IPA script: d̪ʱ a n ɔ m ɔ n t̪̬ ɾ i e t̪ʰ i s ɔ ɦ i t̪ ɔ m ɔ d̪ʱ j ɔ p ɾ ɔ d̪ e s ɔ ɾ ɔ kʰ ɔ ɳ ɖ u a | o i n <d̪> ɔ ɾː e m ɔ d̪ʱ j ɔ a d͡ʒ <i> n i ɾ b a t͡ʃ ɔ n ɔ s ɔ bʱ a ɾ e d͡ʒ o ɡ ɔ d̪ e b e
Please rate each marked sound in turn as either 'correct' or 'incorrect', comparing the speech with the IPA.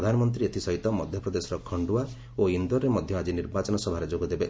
correct, correct

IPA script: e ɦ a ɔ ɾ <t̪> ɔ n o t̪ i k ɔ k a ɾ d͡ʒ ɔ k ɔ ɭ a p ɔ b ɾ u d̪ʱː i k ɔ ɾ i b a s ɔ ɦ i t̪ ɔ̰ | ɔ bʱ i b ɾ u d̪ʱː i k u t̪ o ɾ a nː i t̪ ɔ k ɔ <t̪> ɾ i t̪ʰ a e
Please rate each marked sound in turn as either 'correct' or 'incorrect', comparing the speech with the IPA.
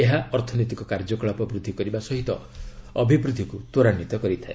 incorrect: t̪ʰ, incorrect: none

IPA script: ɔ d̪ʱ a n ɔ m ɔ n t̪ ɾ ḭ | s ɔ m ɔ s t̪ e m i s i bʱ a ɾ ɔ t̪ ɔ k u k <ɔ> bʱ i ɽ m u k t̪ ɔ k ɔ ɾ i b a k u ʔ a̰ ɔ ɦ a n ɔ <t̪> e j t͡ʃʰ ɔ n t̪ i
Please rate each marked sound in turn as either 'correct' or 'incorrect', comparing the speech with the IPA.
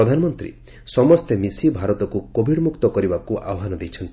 incorrect: o, incorrect: d̪

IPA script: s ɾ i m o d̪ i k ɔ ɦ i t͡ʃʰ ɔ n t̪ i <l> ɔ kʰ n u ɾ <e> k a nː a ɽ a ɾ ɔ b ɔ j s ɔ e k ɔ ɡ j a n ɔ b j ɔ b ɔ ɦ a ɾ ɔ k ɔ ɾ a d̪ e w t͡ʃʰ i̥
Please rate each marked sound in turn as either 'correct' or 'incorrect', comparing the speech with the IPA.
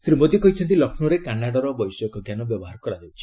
correct, correct

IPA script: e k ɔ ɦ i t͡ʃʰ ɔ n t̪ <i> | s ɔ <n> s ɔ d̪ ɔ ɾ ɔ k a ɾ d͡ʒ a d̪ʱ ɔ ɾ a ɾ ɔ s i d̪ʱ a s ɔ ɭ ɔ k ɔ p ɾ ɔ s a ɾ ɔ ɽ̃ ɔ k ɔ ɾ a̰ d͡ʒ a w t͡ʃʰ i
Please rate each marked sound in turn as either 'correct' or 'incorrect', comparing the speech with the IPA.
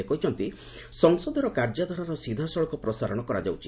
correct, incorrect: ŋ

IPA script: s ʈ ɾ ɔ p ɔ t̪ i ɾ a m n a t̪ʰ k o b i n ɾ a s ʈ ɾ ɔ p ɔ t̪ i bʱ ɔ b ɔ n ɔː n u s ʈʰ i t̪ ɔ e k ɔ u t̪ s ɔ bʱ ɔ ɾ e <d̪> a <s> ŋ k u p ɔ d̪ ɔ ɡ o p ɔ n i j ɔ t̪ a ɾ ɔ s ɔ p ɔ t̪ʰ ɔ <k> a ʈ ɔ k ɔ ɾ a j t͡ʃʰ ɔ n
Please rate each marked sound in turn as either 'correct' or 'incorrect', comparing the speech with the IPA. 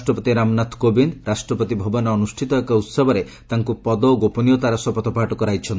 incorrect: t̪, incorrect: none, incorrect: p

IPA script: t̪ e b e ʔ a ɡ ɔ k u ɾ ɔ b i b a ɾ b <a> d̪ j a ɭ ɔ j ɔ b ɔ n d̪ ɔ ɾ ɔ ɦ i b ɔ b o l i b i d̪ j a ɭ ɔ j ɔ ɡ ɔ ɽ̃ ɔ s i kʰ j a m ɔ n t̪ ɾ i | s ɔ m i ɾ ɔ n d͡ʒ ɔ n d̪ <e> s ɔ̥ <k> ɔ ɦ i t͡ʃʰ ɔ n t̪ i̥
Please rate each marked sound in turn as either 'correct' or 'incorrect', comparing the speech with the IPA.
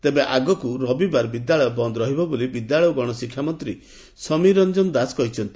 incorrect: i, incorrect: a, correct

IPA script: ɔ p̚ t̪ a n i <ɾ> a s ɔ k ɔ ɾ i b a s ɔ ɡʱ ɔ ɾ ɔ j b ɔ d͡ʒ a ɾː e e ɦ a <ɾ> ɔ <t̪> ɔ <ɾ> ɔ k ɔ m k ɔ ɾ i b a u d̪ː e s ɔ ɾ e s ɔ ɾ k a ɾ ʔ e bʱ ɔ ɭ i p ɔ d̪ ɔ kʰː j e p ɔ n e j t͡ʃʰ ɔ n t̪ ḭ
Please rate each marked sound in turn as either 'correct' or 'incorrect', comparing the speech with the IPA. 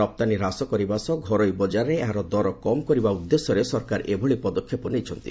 correct, correct, incorrect: d̪, correct

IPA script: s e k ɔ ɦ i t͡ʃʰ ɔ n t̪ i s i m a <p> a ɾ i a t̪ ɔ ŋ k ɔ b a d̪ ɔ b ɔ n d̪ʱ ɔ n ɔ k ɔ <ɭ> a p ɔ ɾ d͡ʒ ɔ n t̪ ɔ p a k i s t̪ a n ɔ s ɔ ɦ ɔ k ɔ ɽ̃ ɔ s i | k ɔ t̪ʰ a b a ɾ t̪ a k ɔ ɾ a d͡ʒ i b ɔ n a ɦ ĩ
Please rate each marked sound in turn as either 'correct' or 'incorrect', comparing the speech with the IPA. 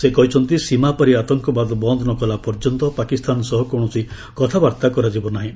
correct, incorrect: l

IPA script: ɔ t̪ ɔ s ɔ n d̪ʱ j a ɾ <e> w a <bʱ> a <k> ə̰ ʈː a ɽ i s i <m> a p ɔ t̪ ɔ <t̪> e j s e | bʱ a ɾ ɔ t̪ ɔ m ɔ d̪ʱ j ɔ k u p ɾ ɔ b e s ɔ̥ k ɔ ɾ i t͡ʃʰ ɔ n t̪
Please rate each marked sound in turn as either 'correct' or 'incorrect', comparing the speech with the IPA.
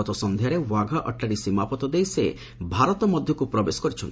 correct, incorrect: ɡʱ, incorrect: ʔ, correct, incorrect: d̪

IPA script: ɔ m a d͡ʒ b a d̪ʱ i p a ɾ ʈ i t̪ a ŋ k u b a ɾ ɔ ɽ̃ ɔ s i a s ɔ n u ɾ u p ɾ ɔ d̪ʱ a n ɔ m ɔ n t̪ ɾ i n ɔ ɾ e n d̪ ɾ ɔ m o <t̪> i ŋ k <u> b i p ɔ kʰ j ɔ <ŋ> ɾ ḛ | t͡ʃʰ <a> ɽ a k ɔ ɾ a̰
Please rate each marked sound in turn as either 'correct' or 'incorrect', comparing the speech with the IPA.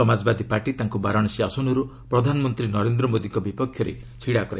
incorrect: d̪, incorrect: ɔ, incorrect: none, incorrect: i

